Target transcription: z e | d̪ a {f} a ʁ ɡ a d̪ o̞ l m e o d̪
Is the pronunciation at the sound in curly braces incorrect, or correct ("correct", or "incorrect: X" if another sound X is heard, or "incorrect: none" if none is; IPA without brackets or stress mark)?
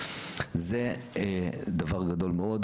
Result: incorrect: v